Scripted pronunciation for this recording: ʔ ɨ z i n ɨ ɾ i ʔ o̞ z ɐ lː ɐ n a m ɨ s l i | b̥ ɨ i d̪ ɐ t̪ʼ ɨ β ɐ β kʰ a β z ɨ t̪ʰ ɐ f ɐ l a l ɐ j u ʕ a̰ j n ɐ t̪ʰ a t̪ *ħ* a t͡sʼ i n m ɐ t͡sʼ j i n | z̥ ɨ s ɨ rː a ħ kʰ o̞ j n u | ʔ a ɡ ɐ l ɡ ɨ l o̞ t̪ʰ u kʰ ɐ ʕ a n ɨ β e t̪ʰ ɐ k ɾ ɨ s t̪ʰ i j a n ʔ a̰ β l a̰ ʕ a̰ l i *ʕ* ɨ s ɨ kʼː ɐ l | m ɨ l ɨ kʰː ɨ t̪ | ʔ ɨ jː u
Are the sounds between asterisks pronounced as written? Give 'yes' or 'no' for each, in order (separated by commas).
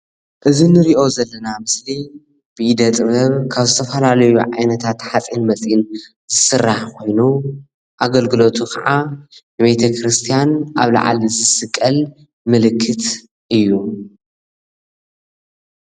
yes, no